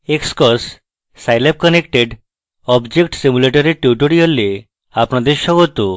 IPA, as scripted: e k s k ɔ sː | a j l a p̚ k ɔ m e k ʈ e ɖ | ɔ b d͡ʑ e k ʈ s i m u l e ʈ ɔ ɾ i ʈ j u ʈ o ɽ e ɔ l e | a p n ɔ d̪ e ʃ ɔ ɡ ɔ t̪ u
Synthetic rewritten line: e k s k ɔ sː | a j l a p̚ k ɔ n e k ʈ e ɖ | ɔ b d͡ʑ e k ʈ s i m u l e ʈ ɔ ɾ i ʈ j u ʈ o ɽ i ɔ l e | a p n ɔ d̪ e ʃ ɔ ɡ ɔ t̪ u